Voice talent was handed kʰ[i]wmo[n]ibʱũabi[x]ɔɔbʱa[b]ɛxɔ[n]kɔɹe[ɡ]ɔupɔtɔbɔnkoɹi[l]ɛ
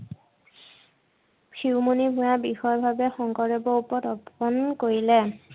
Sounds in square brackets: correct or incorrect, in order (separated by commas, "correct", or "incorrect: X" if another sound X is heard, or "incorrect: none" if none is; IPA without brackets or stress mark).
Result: correct, correct, correct, correct, incorrect: ŋ, incorrect: b, correct